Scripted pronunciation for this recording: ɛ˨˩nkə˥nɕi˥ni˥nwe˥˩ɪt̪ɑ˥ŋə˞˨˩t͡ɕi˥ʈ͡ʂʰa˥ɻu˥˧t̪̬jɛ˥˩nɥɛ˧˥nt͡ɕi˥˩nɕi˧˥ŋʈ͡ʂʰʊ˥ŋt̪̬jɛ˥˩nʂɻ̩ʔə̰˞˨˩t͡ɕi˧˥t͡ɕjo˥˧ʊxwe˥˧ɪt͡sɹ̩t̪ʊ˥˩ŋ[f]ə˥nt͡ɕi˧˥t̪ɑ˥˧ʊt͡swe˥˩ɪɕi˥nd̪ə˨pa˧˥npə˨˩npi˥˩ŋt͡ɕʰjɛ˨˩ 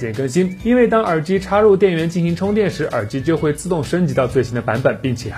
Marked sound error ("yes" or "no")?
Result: yes